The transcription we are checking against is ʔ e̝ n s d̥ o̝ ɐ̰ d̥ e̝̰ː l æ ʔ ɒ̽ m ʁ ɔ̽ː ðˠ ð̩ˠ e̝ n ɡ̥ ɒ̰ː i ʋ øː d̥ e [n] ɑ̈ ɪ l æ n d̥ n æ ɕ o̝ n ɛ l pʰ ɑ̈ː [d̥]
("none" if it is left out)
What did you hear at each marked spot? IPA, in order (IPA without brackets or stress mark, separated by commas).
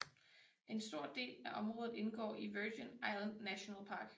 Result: n, ɡ̥